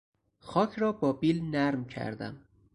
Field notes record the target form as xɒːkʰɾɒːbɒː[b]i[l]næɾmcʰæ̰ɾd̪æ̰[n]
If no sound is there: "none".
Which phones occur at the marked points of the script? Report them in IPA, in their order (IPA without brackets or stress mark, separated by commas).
b, l, m